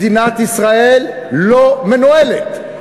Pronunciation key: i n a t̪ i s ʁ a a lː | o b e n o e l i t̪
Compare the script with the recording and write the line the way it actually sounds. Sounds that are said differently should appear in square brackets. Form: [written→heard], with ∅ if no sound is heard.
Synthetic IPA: i n a t̪ i s ʁ a [a→e] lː | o [b→m] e n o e l [i→e] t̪